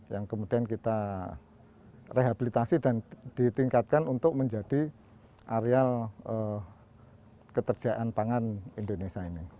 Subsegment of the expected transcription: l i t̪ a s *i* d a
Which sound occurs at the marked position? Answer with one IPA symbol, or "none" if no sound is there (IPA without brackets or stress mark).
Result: i